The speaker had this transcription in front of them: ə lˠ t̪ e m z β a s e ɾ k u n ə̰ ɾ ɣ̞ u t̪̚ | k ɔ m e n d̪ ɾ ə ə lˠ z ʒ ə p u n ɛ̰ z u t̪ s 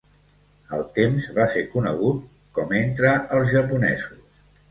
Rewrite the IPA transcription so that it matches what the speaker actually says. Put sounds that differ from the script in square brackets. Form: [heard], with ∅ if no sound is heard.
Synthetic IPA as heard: ə lˠ t̪ e m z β a s e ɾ k u n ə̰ [∅] ɣ̞ u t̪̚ | k ɔ m e n [t̪] ɾ ə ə lˠ z ʒ ə p u n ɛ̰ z u [∅] s